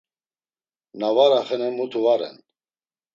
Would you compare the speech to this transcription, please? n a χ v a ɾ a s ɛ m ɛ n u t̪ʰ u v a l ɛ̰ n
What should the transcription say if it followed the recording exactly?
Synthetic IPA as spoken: n a v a ɾ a χ ɛ n ɛ m u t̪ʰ u v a ɾ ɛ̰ n